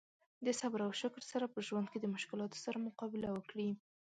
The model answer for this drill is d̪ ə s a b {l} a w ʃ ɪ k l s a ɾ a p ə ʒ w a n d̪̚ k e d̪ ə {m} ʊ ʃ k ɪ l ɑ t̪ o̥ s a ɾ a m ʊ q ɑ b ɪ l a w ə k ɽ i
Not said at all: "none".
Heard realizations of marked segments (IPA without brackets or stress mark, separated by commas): ɾ, m